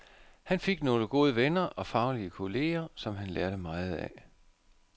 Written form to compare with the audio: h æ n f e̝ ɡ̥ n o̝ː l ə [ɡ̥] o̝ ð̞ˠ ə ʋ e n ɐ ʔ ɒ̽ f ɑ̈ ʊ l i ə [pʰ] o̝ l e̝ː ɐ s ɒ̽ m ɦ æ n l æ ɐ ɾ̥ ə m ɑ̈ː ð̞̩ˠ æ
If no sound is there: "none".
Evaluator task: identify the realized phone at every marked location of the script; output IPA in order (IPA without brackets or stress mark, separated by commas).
ɡ̥, kʰ